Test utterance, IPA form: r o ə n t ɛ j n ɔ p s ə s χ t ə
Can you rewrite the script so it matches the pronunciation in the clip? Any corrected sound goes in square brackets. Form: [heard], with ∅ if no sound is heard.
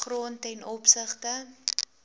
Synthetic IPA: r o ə n t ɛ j n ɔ p s ə [∅] χ t ə

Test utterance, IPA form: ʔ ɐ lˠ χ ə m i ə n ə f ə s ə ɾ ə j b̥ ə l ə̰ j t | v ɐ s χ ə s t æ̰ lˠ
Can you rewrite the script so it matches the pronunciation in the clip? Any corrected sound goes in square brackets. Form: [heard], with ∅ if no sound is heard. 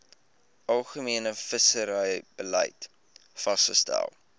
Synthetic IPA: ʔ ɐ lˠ χ ə m i ə n ə f ə s ə ɾ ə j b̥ ə l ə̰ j t | [f] ɐ s χ ə s t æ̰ lˠ

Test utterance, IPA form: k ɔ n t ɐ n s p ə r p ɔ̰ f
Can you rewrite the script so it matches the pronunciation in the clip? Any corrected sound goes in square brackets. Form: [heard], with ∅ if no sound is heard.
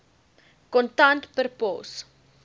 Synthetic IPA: k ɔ n t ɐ n [t] p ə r p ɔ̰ [s]

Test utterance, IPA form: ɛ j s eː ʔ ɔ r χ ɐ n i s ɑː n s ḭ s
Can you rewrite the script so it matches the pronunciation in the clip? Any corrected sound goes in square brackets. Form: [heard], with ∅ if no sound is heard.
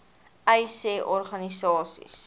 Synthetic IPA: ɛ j s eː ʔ ɔ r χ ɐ n i s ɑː [∅] s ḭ s

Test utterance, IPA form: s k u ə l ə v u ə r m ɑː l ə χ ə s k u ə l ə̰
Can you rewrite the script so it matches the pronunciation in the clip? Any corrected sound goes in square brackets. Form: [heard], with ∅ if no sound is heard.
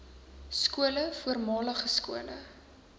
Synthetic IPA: s k u ə l ə [f] u ə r m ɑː l ə χ ə s k u ə l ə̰

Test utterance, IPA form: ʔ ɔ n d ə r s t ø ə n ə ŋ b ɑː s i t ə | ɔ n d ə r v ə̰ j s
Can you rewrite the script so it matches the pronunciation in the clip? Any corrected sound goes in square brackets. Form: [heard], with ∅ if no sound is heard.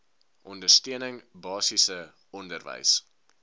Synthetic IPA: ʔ ɔ n d ə r s t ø ə n ə ŋ b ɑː s i [s] ə | ɔ n d ə r v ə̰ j s

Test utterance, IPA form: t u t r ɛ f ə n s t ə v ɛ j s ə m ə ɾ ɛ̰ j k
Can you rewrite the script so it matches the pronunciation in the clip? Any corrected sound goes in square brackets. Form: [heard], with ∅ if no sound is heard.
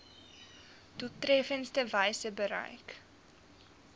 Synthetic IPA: t u t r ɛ f ə n s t ə v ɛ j s ə [b] ə ɾ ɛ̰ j k

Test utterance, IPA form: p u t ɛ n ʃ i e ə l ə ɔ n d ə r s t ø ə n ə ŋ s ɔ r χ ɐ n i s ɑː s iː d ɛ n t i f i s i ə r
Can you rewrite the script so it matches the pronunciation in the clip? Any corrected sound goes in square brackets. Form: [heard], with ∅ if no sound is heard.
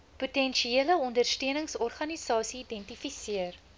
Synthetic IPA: p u t ɛ n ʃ i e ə l ə ɔ n d ə r s t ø ə n ə ŋ s ɔ r χ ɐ n i s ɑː s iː d ɛ n t i f i s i ə r

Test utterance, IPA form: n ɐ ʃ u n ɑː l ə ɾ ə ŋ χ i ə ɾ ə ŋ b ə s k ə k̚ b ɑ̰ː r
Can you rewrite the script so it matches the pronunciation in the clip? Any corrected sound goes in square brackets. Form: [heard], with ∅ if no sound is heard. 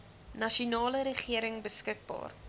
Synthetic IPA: n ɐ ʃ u n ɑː l ə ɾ ə [∅] χ i ə ɾ ə ŋ b ə s k ə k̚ b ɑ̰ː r

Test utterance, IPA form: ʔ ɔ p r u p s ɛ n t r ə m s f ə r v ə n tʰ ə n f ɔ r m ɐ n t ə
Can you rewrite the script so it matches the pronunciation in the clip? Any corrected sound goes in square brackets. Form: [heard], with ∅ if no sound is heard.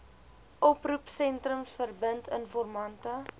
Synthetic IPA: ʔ ɔ p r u p s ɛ n t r ə m s f ə r [b] ə n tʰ ə n f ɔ r m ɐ n t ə

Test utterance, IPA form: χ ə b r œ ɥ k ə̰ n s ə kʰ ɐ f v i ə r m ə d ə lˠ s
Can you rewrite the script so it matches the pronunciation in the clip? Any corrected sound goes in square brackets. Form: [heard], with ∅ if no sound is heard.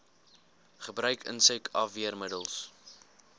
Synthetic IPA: χ ə b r œ ɥ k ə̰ n s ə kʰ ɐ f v i ə r m ə d ə lˠ s

